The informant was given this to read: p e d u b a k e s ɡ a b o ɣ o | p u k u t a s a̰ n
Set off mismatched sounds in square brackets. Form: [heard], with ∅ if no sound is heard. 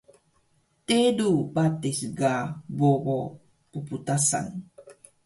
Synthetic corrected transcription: [t] e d u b a [t] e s ɡ a b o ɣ o | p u [p] u t a s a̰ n